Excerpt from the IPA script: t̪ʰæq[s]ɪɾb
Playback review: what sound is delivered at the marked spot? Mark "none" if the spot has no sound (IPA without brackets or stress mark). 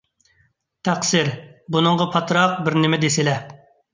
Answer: s